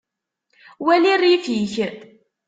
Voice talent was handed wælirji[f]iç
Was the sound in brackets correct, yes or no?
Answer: yes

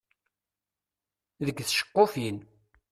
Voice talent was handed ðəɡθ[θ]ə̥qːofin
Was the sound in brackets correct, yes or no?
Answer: no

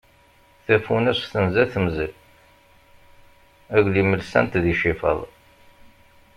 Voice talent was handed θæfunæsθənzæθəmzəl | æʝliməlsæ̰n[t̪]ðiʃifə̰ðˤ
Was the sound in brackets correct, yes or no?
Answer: yes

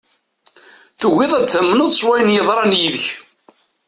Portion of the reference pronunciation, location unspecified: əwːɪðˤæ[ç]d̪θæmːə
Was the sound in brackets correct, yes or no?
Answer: no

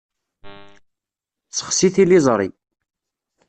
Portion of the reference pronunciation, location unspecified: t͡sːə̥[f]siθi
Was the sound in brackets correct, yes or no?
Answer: no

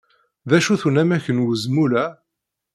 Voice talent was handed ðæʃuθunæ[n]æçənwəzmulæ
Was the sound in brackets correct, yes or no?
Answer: no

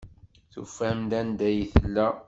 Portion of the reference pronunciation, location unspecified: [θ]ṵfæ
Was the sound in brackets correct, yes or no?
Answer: yes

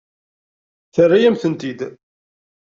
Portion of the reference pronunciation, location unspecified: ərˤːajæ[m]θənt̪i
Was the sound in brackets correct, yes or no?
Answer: yes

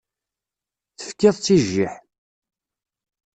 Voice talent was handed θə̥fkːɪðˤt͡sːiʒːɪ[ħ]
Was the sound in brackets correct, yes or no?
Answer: yes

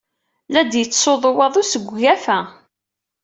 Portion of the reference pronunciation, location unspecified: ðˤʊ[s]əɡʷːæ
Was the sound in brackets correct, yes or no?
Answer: yes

